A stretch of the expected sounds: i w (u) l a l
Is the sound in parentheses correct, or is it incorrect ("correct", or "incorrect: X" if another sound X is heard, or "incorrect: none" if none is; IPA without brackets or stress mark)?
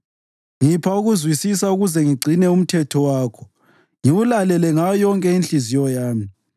correct